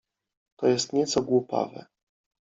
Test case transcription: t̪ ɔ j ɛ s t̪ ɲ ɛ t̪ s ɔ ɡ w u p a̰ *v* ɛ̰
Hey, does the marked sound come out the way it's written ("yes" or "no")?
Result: yes